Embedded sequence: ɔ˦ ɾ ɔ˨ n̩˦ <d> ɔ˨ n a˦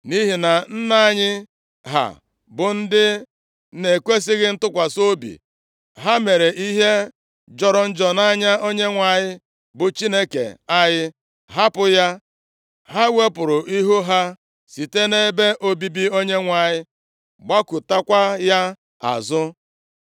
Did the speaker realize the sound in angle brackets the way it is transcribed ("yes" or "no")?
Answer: no